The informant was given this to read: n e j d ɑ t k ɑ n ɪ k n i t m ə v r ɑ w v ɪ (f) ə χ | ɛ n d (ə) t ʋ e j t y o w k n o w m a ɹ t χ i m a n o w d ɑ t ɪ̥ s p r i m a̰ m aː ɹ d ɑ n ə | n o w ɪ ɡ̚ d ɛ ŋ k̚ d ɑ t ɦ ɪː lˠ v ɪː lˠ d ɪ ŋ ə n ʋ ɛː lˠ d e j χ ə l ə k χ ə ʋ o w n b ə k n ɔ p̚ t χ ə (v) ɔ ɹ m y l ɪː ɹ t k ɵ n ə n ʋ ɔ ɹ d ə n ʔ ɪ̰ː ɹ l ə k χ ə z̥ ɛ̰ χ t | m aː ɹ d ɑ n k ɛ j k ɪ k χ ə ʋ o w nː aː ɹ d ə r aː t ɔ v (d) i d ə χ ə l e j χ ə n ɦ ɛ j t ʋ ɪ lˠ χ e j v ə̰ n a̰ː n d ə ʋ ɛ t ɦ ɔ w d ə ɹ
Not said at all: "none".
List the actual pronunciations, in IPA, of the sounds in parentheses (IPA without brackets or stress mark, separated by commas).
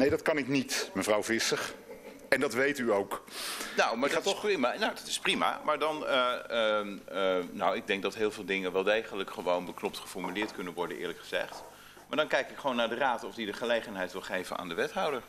s, ɑ, f, d